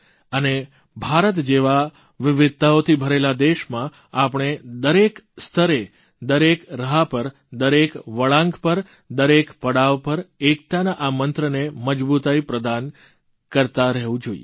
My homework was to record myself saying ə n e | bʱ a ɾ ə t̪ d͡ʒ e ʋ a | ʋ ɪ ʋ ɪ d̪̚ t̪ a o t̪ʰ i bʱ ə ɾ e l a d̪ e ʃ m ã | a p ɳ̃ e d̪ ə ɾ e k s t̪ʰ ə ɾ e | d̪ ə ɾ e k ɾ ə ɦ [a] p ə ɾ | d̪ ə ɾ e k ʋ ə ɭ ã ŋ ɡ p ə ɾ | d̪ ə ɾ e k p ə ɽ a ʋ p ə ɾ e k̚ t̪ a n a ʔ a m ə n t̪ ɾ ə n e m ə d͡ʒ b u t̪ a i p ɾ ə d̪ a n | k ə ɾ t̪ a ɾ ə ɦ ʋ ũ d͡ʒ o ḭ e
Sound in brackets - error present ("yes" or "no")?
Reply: no